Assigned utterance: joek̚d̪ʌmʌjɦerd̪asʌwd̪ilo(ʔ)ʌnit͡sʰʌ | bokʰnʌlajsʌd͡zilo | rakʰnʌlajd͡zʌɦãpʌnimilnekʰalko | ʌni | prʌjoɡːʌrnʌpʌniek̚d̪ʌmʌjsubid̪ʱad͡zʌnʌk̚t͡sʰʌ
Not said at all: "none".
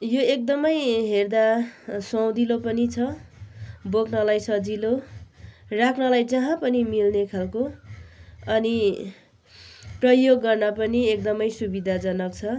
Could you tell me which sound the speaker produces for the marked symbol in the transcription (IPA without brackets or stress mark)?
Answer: p